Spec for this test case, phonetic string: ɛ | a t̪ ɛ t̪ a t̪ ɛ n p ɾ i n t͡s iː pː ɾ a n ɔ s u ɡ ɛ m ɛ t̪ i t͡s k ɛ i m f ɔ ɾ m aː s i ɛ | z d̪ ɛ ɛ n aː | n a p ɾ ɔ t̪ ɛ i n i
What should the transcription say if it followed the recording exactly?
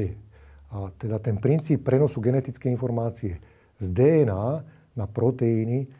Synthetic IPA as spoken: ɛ | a t̪ ɛ d̪ a t̪ ɛ n p ɾ i n t͡s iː pː ɾ ɛ n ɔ s u ɡ ɛ n ɛ t̪ i t͡s k ɛ i n f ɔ ɾ m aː t͡s i ɛ | z d̪ ɛ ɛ n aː | n a p ɾ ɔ t̪ ɛ i n i